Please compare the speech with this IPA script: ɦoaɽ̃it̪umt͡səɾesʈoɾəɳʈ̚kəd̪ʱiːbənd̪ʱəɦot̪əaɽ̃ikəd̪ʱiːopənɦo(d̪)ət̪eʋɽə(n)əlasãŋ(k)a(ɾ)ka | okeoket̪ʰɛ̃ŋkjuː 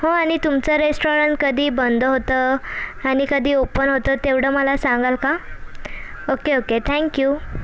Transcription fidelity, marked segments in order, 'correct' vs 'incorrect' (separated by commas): incorrect, incorrect, incorrect, incorrect